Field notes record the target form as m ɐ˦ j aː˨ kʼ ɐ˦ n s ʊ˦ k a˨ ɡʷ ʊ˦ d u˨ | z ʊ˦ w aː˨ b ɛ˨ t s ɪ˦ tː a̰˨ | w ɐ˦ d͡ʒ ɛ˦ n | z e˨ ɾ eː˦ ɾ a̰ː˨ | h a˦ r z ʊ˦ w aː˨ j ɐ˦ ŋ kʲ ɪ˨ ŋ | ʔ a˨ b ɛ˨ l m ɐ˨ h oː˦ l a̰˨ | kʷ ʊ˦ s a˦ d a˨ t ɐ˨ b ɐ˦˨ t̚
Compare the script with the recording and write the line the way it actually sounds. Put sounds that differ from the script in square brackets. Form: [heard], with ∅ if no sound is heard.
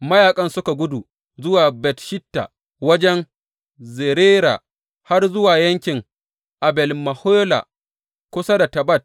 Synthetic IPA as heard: m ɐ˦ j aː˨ kʼ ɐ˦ n s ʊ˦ k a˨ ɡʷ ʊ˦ d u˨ | z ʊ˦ w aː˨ b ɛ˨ t [ʃ] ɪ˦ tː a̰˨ | w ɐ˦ d͡ʒ ɛ˦ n | z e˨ ɾ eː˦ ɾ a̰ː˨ | h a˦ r z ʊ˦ w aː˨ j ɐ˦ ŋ kʲ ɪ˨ ŋ | ʔ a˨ b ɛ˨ l m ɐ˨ h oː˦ l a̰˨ | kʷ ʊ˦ s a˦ d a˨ t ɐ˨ b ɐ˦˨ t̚